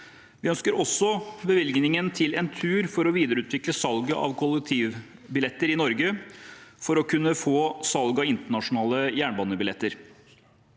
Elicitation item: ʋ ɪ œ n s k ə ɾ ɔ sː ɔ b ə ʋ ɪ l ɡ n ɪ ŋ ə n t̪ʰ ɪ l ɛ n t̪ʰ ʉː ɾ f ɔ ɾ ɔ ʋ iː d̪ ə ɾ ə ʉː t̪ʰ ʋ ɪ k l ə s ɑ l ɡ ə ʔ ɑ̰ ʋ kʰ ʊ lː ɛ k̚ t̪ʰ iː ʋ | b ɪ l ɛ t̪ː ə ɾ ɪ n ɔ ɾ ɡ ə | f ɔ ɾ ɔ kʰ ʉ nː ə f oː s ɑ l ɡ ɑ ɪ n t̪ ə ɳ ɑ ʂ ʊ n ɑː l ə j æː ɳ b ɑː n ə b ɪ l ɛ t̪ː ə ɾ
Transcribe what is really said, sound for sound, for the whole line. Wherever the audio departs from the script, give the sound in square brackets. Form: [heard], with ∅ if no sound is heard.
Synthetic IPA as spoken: ʋ ɪ œ n s k ə ɾ ɔ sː ɔ b ə ʋ ɪ l ɡ n ɪ ŋ ə n t̪ʰ ɪ l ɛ n t̪ʰ ʉː ɾ f ɔ ɾ ɔ ʋ iː d̪ ə ɾ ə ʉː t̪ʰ ʋ ɪ k l ə s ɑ l ɡ ə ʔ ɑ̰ ʋ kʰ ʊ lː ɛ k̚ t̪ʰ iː ʋ | b ɪ l ɛ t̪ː ə ɾ ɪ n ɔ ɾ ɡ ə | f ɔ ɾ ɔ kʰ ʉ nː ə f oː s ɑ l ɡ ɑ ɪ n t̪ ə ɳ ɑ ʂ ʊ n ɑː l ə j æː ɳ b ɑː n ə b ɪ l ɛ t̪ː ə ɾ